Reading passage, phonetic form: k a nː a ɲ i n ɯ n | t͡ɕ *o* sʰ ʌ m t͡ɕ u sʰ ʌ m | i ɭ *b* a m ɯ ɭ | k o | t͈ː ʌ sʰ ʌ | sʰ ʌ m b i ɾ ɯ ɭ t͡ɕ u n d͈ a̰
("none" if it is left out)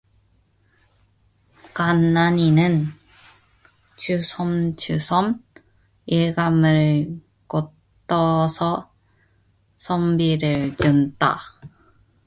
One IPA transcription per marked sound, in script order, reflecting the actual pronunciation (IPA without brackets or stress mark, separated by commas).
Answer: u, ɡ